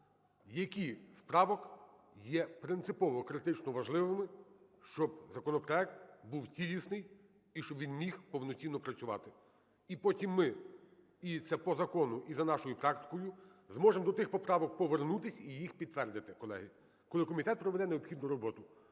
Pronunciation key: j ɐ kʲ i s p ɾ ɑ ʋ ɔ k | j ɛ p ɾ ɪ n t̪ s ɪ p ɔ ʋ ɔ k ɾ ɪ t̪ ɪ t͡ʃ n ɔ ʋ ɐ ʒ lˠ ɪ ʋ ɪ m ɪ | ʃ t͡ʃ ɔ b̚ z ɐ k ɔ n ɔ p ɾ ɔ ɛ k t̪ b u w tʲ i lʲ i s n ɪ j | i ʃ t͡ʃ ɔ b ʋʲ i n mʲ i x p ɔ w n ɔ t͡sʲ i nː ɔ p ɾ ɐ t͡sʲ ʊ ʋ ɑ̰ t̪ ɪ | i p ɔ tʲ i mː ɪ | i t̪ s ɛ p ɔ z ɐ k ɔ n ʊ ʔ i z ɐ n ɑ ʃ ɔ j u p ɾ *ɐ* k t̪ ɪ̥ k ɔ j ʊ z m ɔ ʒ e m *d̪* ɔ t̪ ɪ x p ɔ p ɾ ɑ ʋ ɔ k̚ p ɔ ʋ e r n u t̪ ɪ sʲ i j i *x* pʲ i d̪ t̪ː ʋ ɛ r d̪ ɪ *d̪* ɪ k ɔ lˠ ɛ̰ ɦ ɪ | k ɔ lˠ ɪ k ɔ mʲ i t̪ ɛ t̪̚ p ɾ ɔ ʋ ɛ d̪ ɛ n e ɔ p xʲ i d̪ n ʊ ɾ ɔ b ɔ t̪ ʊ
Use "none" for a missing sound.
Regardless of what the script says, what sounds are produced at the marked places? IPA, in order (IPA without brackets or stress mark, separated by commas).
ɑ, d̪, x, t̪